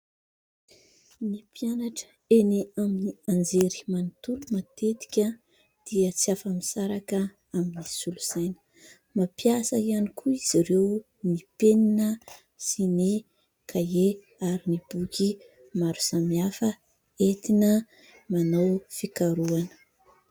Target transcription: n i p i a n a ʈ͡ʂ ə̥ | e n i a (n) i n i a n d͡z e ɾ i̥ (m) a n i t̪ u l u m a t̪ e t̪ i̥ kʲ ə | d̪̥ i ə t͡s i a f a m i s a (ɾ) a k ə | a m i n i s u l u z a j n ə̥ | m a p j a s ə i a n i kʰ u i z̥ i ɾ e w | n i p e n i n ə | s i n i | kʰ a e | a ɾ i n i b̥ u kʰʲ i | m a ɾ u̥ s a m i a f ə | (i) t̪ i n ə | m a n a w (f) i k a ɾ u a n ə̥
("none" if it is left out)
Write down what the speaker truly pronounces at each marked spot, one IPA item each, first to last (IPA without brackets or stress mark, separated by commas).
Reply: m, m, ɾ, e, f